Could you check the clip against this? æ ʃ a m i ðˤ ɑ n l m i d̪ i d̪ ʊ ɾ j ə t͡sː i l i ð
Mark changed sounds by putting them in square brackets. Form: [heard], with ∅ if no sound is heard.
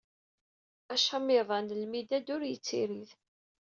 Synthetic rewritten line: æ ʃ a m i ðˤ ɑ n l m i d̪ [æ] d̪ ʊ ɾ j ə t͡sː i [ɾ] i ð